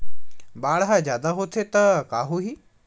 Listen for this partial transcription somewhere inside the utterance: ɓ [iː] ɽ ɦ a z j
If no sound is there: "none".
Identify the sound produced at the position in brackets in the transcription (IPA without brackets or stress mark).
aː